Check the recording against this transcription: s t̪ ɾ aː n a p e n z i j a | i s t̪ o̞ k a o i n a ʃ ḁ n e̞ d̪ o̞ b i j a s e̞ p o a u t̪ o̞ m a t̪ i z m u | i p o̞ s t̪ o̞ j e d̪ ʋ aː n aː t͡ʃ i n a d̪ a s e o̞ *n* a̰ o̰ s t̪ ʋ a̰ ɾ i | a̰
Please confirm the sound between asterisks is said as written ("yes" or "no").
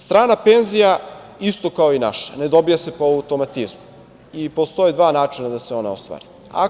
yes